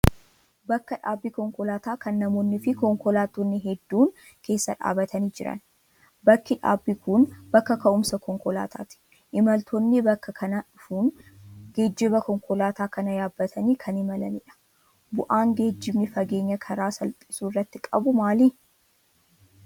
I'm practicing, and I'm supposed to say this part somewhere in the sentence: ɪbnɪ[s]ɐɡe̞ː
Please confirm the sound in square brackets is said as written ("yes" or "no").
no